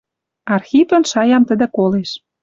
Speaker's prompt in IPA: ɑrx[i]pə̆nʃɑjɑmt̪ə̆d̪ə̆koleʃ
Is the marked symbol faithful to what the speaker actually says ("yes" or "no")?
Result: yes